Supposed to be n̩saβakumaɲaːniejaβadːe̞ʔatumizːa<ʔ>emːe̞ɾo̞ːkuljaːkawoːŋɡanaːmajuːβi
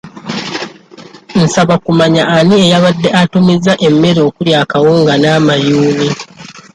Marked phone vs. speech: correct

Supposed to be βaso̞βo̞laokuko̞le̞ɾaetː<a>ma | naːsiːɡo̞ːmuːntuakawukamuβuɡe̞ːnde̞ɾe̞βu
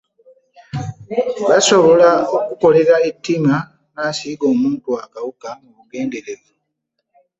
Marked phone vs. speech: incorrect: i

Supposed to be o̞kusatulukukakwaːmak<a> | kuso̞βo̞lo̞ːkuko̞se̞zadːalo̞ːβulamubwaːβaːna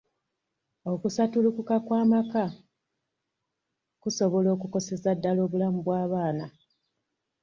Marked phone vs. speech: correct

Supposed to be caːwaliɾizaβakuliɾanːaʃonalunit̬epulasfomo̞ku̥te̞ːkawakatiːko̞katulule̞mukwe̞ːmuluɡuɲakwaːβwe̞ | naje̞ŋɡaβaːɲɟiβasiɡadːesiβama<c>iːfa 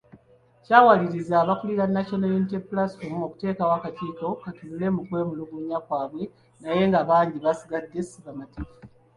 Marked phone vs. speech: incorrect: t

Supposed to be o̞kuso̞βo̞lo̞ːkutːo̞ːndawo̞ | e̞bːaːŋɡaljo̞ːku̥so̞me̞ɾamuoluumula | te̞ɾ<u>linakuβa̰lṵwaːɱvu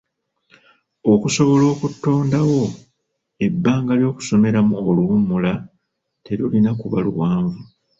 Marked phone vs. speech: correct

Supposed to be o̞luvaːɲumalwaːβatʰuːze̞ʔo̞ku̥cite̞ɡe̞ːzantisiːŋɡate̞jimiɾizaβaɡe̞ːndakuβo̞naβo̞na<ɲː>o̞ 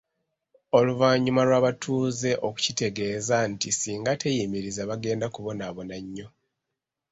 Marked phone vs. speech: correct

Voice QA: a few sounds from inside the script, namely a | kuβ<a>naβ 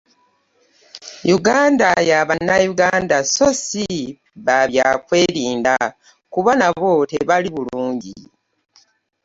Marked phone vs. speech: correct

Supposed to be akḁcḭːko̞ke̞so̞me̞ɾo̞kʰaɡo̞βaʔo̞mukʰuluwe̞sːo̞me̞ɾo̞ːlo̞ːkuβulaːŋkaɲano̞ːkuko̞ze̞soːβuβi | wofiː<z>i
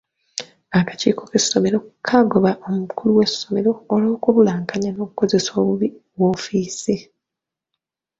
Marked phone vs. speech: incorrect: s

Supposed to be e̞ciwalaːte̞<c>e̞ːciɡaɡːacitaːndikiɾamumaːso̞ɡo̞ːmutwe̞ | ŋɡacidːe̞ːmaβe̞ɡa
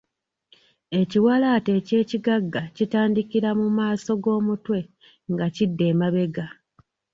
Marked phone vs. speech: correct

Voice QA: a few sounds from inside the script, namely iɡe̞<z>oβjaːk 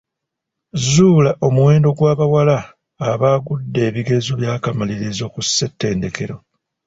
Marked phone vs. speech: correct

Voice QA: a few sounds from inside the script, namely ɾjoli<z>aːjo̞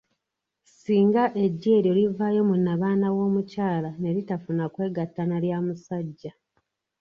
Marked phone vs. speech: incorrect: v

